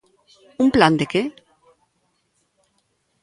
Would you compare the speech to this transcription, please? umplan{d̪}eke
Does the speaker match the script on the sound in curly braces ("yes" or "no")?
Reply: yes